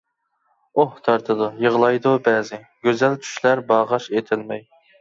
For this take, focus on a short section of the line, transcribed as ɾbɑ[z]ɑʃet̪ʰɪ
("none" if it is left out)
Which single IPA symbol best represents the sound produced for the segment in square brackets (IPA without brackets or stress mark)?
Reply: ʁ